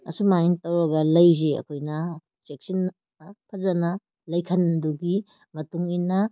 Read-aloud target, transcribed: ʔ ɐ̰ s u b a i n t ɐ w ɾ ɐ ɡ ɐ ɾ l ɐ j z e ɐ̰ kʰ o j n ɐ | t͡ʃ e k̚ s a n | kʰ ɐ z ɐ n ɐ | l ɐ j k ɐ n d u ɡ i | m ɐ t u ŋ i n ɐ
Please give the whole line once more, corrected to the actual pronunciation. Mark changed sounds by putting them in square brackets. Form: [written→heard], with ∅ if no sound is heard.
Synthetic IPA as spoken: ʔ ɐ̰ s u [b→m] a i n t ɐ w ɾ ɐ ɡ ɐ [ɾ→∅] l ɐ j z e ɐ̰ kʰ o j n ɐ | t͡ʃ e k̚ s [a→i] n | [kʰ→pʰ] ɐ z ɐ n ɐ | l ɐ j [k→kʰ] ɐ n d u ɡ i | m ɐ t u ŋ i n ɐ